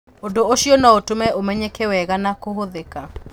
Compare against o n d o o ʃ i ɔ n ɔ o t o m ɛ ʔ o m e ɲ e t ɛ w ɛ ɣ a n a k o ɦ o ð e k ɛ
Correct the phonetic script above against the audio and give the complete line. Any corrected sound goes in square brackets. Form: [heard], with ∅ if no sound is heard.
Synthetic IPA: o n d o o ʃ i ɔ n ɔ o t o m ɛ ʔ o m [ɛ] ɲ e [k] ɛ w ɛ ɣ a n a k o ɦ o ð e k [a]